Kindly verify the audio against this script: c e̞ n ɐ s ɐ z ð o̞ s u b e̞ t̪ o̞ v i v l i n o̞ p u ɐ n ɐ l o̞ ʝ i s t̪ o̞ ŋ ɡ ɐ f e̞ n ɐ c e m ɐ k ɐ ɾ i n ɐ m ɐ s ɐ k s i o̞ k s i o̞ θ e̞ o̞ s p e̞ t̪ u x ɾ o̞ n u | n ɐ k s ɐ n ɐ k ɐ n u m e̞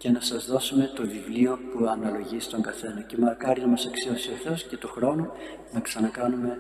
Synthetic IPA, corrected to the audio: c e̞ n ɐ s ɐ z ð o̞ s u m e̞ t̪ o̞ v i v l i o̞ p u ɐ n ɐ l o̞ ʝ i s t̪ o̞ ŋ ɡ ɐ θ e̞ n ɐ c e m ɐ k ɐ ɾ i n ɐ m ɐ s ɐ k s i o̞ s i o̞ θ e̞ o̞ s c e̞ t̪ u x ɾ o̞ n u | n ɐ k s ɐ n ɐ k ɐ n u m e̞